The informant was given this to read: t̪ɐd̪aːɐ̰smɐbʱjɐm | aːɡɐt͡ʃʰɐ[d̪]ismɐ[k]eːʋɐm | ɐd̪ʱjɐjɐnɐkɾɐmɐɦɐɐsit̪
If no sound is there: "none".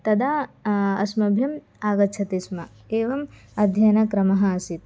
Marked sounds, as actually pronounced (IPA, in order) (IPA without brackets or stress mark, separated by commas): t̪, k